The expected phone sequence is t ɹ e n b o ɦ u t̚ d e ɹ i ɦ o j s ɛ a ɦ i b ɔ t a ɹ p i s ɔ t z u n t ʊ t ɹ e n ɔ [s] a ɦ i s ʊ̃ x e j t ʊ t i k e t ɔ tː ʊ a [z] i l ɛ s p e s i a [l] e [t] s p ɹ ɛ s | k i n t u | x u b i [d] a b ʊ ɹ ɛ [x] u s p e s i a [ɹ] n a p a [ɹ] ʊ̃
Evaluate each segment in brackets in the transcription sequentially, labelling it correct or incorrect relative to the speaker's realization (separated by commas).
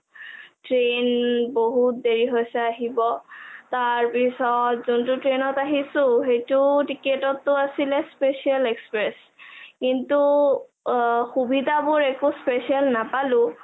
incorrect, incorrect, correct, incorrect, correct, incorrect, incorrect, incorrect